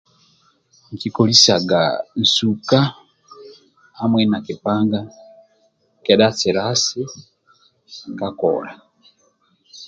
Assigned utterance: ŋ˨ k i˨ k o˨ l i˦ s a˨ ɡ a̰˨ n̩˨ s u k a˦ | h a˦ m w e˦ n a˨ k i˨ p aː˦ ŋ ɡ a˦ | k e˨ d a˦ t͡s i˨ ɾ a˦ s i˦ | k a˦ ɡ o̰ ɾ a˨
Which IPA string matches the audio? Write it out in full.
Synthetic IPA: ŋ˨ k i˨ k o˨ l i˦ s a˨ ɡ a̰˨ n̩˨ s u k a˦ | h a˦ m w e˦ n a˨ k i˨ p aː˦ ŋ ɡ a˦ | k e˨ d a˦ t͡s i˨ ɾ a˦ s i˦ | k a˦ k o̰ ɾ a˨

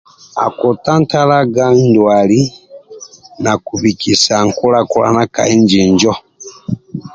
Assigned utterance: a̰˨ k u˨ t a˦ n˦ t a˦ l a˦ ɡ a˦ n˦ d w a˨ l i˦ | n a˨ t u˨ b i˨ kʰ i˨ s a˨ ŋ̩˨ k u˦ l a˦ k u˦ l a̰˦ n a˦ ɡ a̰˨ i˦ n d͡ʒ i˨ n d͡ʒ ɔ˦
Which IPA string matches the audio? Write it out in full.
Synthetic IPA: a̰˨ k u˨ t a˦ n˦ t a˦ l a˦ ɡ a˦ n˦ d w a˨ l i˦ | n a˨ k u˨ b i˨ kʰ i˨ s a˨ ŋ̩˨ k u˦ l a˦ k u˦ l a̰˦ n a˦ k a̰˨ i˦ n d͡ʒ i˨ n d͡ʒ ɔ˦

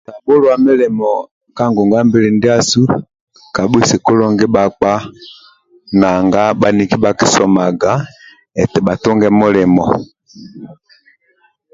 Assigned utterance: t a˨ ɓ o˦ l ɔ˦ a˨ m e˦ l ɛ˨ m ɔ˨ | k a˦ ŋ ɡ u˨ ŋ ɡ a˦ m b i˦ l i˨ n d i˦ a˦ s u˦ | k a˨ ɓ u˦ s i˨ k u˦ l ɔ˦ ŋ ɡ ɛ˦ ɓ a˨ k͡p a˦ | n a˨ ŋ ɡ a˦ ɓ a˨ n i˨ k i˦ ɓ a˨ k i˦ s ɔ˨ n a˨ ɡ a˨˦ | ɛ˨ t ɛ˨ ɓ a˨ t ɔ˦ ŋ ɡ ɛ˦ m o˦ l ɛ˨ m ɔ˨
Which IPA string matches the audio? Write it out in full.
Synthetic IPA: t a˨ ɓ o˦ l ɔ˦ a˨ m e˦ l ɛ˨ m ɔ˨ | k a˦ ŋ ɡ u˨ ŋ ɡ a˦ m b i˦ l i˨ n d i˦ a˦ s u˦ | k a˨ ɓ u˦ s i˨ k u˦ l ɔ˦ ŋ ɡ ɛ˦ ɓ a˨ k͡p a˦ | n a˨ ŋ ɡ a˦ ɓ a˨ n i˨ k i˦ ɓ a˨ k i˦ s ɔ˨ m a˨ ɡ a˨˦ | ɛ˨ t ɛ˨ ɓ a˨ t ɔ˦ ŋ ɡ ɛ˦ m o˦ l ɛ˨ m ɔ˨

